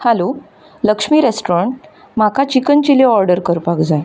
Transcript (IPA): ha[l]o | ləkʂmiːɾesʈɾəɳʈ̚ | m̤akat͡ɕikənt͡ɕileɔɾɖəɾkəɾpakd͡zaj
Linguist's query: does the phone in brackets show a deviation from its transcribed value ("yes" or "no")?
no